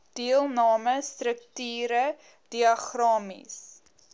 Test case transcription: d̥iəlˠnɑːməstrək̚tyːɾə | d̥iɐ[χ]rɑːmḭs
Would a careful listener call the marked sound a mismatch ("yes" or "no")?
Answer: no